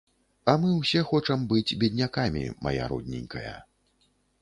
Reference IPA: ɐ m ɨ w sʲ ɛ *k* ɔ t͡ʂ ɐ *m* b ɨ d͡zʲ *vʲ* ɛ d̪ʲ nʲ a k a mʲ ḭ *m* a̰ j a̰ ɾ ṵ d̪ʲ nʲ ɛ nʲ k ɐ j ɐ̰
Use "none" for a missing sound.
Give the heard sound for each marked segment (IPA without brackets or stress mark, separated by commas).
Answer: x, m, bʲ, m